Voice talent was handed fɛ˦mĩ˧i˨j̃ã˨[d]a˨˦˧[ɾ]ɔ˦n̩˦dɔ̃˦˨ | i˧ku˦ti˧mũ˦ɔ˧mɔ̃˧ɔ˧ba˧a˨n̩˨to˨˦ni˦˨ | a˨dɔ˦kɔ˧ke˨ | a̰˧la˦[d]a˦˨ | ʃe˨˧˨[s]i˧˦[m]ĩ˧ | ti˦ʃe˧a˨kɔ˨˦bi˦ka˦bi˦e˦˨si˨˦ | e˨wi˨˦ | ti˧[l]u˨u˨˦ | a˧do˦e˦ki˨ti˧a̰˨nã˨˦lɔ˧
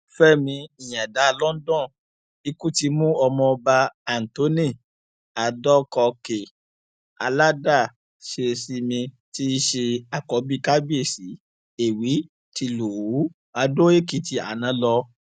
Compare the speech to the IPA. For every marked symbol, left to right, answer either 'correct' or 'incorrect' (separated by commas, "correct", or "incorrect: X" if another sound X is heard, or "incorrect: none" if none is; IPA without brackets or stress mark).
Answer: correct, incorrect: l, correct, correct, correct, correct